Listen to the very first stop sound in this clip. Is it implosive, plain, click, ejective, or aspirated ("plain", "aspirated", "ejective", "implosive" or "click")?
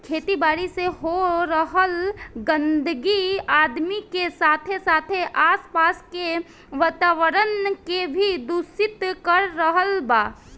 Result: aspirated